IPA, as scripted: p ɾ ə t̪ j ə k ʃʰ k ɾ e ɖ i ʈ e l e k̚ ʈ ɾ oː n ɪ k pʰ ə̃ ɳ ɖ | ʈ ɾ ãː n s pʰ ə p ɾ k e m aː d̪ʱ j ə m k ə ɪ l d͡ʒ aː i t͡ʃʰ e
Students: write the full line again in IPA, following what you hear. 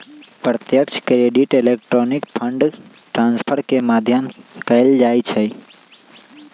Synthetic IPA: p ɾ ə t̪ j ə k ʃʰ k ɾ e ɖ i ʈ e l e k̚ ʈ ɾ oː n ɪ k pʰ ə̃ ɳ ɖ | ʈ ɾ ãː n s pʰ ə ɾ k e m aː d̪ʱ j ə m k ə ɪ l d͡ʒ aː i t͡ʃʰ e